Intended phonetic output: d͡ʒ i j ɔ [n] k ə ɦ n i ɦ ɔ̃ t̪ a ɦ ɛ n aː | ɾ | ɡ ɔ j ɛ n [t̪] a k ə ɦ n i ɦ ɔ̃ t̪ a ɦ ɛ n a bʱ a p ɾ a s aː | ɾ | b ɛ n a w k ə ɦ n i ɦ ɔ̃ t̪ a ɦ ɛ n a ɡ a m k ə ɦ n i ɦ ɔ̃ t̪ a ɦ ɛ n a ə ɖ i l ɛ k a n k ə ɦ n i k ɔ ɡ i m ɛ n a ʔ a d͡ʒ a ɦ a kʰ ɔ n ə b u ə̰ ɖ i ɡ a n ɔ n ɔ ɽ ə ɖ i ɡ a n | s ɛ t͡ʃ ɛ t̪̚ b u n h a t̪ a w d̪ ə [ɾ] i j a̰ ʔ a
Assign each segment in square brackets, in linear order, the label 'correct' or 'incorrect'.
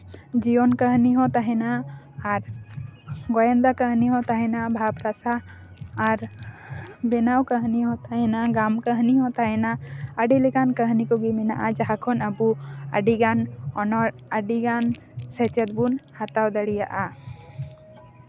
correct, incorrect: d̪, incorrect: ɽ

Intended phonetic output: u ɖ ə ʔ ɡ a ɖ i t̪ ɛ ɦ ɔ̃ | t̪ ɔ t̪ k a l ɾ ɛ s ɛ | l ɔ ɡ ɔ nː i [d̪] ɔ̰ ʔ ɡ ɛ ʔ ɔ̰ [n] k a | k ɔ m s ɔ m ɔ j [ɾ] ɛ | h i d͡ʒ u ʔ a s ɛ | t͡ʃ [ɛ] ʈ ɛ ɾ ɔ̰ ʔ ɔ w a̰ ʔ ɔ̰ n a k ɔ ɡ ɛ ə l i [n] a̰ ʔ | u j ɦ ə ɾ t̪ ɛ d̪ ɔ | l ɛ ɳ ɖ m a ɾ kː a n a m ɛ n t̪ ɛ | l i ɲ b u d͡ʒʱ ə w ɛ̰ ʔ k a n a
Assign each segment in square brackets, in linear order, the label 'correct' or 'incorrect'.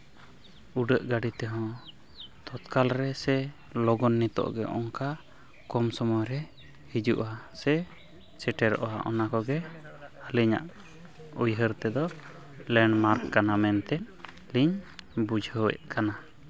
incorrect: t̪, incorrect: ŋ, correct, correct, incorrect: ɲ

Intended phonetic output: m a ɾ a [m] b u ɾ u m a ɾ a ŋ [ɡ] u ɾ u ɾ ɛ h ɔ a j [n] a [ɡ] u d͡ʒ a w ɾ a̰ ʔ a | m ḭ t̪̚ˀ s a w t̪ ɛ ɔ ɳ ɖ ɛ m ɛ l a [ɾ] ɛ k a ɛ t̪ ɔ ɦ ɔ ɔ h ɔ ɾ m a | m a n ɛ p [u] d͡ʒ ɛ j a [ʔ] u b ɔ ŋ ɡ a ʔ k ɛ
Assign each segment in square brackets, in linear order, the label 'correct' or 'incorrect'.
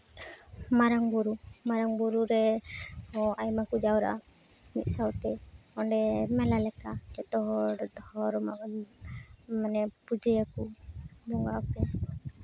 incorrect: ŋ, incorrect: b, incorrect: m, incorrect: k, incorrect: l, correct, incorrect: k

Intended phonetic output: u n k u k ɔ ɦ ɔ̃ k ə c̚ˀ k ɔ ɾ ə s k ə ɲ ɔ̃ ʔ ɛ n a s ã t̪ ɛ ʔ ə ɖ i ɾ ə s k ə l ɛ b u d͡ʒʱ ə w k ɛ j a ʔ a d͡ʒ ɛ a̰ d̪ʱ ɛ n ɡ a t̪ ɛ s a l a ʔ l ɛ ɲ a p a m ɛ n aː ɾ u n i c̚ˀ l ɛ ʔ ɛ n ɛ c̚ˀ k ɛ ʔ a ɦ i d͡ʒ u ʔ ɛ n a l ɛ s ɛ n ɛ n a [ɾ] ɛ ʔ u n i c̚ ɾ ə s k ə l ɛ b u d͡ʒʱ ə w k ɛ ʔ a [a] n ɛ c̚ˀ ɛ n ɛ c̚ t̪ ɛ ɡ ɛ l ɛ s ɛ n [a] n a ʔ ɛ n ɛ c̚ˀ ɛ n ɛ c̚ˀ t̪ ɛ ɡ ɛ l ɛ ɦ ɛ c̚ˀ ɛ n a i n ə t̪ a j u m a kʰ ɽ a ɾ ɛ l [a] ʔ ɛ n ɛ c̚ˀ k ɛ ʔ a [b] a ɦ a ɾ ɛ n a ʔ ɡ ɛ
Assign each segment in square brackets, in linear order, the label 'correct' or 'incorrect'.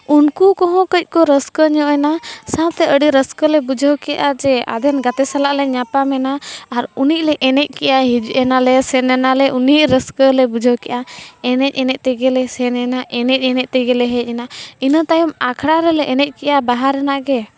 incorrect: l, incorrect: ɛ, incorrect: ɛ, incorrect: ɛ, correct

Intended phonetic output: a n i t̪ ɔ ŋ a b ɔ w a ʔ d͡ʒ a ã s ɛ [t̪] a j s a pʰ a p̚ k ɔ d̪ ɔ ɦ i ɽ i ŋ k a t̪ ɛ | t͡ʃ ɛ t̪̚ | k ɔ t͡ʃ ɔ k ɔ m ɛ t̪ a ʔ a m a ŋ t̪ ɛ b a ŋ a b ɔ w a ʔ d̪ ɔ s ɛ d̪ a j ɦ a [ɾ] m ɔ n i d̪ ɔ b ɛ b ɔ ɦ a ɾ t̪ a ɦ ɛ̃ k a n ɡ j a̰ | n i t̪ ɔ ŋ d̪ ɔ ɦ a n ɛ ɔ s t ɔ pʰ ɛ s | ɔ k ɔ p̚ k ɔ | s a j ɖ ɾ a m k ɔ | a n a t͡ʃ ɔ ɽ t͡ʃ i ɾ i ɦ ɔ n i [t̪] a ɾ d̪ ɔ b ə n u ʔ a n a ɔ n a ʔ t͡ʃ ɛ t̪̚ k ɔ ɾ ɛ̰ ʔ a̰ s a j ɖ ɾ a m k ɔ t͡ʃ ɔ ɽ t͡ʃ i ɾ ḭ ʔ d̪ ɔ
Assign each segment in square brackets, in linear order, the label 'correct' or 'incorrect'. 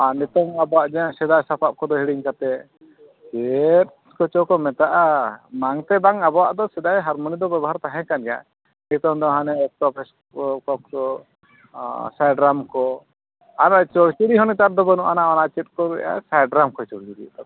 incorrect: d̪, correct, correct

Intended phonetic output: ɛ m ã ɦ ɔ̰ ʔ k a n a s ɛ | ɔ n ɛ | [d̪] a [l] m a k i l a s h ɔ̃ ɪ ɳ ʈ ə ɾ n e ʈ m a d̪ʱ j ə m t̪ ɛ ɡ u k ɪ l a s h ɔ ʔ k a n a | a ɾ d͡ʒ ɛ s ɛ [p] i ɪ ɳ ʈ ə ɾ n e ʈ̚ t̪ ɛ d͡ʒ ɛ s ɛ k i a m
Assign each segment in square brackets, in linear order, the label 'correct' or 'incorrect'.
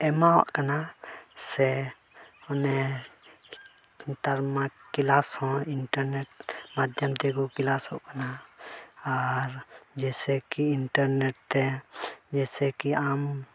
incorrect: t̪, incorrect: ɾ, incorrect: k

